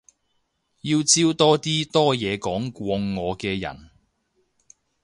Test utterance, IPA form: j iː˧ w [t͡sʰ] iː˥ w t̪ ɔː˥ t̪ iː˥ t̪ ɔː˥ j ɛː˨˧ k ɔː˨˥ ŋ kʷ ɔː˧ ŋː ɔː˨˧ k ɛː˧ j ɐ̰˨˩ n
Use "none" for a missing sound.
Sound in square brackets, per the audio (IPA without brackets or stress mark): t͡s